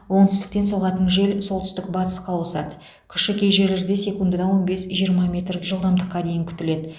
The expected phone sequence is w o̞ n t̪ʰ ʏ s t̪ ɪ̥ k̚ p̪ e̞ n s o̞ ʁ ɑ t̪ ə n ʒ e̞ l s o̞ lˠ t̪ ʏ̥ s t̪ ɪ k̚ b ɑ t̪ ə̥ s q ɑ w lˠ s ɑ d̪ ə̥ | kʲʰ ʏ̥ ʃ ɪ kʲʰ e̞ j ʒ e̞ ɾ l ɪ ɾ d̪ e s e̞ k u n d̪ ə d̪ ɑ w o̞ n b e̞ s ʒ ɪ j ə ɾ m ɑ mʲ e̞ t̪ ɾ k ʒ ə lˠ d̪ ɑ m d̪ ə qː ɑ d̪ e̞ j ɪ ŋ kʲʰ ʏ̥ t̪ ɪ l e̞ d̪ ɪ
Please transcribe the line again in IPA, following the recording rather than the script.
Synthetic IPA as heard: w o̞ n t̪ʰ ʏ s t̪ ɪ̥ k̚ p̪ e̞ n s o̞ ʁ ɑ t̪ ə n ʒ e̞ l s o̞ lˠ t̪ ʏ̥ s t̪ ɪ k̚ b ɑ t̪ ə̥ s q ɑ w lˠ s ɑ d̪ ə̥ | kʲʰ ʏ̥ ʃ ɪ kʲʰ e̞ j ʒ e̞ ɾ l ɪ ɾ d̪ e s e̞ k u n d̪ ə d̪ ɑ w o̞ n b e̞ s ʒ i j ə ɾ m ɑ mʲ e̞ t̪ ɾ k ʒ ə lˠ d̪ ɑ m d̪ ə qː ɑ d̪ e̞ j ɪ ŋ kʲʰ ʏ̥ t̪ ɪ l e̞ d̪ ɪ